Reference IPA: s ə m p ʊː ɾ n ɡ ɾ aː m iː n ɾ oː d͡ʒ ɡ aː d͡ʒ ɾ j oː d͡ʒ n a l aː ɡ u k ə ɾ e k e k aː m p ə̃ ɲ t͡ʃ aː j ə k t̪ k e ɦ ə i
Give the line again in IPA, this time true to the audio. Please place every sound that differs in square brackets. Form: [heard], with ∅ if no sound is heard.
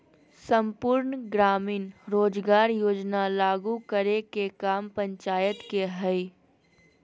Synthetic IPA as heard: s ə m p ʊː ɾ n ɡ ɾ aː m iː n ɾ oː d͡ʒ ɡ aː [∅] ɾ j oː d͡ʒ n a l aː ɡ u k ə ɾ e k e k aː m p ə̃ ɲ t͡ʃ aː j ə [∅] t̪ k e ɦ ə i